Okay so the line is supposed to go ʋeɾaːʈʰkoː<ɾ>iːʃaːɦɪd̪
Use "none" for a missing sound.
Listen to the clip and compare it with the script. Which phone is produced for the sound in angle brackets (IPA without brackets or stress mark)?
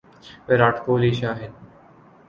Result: l